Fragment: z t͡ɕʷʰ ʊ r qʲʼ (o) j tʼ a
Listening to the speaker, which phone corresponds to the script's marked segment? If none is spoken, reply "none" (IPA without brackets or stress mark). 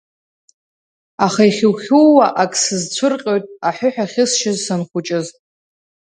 o